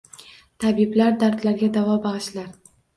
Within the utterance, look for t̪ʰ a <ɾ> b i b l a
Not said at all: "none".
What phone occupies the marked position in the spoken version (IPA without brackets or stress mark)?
none